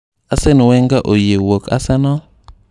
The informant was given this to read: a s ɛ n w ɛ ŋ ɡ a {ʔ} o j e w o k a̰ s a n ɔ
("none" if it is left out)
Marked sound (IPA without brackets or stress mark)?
ʔ